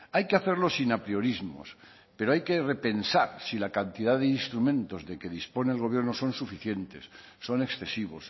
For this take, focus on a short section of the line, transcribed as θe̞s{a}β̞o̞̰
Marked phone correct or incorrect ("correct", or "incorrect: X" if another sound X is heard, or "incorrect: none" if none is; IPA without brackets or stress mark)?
incorrect: i